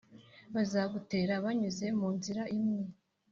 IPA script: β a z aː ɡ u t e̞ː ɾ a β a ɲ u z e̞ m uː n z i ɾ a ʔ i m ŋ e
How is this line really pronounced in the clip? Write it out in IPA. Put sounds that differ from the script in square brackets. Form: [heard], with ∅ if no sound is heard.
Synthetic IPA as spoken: β a z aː ɡ u t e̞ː ɾ a β a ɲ u z e̞ m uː n z i ɾ a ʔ i m ŋ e